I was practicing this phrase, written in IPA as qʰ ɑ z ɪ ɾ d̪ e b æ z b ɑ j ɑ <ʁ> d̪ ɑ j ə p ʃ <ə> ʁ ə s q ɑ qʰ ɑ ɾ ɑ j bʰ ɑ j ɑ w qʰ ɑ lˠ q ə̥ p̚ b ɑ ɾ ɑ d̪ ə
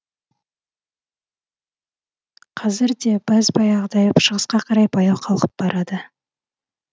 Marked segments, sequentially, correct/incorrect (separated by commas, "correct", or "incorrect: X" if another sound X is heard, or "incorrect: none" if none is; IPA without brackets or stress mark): correct, correct